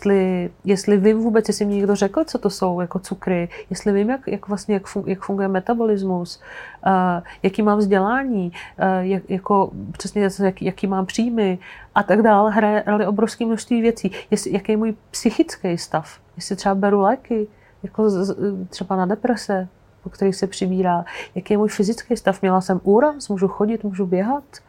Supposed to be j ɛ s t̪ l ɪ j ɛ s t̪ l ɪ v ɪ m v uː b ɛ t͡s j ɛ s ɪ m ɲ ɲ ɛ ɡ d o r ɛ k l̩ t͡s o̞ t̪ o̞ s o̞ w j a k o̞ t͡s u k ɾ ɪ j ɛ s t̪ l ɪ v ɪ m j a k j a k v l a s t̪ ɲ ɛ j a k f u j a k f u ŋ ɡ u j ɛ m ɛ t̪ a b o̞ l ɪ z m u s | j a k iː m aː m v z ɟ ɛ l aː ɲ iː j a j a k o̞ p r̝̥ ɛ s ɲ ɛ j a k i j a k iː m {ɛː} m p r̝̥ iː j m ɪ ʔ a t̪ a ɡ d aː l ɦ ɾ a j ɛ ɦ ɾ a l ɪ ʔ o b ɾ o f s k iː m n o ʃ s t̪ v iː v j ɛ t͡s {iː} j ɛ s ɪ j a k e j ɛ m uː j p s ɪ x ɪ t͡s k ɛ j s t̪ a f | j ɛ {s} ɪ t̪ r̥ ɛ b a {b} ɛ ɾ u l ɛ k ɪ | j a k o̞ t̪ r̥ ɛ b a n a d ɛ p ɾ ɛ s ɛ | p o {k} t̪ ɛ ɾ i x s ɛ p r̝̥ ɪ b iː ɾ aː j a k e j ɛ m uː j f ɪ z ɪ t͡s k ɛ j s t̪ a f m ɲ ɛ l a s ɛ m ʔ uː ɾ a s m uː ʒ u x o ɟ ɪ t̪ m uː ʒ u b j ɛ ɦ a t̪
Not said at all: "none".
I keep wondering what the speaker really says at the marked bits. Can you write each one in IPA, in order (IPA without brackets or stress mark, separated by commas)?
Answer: aː, iː, s, b, k